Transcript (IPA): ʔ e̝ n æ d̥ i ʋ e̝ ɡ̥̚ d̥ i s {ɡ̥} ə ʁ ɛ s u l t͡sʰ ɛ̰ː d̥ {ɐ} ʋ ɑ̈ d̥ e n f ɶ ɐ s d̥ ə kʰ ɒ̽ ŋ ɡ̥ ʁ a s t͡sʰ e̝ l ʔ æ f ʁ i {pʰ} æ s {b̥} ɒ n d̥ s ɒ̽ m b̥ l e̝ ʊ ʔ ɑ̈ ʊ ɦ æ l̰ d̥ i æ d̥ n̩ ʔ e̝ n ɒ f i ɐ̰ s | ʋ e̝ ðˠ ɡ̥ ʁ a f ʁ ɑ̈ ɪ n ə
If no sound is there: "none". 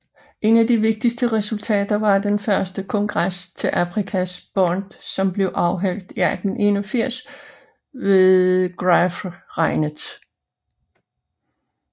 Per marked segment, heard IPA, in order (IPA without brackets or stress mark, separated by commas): d̥, ɐ, kʰ, b̥